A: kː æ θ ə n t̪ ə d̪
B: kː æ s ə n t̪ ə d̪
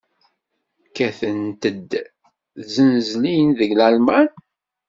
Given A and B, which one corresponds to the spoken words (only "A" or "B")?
A